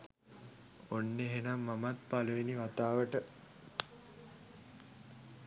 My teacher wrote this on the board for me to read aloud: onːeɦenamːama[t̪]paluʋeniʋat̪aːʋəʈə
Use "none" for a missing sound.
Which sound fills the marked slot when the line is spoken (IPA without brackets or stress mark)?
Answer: t̪